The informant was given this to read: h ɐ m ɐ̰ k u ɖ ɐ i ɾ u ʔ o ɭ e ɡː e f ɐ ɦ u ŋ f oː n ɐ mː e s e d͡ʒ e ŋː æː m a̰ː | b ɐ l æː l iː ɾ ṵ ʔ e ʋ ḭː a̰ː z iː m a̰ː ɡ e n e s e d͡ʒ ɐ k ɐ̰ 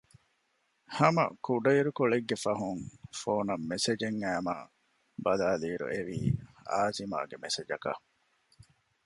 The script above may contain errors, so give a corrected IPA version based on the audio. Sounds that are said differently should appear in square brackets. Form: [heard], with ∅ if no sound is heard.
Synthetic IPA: h ɐ m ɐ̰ k u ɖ ɐ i ɾ u [k] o ɭ e ɡː e f ɐ ɦ u ŋ f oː n ɐ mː e s e d͡ʒ e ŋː æː m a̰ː | b ɐ l [aː] l iː ɾ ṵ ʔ e ʋ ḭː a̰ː z [i] m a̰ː ɡ e [m] e s e d͡ʒ ɐ k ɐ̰